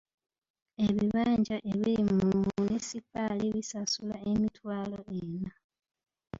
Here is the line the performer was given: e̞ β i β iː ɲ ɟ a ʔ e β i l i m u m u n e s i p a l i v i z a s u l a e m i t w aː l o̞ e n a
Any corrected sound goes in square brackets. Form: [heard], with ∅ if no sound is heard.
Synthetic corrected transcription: e̞ β i β [aː] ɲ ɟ a ʔ e β i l i m u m u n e s i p a l i [β] i [s] a s u l a e m i t w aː l o̞ e n a